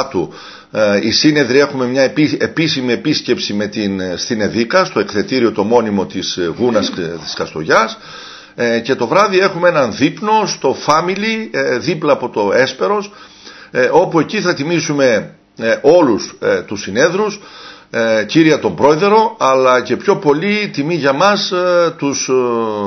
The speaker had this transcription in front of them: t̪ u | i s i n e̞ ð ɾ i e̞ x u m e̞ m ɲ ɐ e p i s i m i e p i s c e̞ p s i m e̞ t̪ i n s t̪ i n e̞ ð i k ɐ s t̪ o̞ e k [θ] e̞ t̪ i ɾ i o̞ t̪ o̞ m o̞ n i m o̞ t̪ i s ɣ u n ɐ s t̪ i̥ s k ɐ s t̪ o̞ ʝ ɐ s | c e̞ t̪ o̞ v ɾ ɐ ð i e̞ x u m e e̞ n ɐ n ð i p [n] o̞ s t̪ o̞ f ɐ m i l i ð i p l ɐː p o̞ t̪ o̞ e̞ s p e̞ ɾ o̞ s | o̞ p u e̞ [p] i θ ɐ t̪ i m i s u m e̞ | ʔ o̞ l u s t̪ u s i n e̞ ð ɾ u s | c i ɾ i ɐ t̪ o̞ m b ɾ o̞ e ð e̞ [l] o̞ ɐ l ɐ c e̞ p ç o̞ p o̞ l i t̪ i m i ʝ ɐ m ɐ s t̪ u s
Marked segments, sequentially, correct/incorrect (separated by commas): correct, correct, incorrect, incorrect